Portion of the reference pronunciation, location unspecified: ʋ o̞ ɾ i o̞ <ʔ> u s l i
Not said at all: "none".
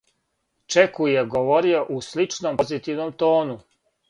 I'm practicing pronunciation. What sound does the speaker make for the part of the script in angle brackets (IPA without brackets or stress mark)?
ʔ